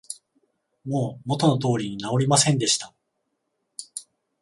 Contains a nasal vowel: yes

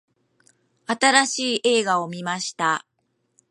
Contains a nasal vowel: no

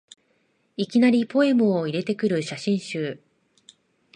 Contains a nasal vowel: yes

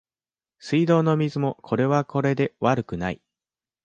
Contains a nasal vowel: no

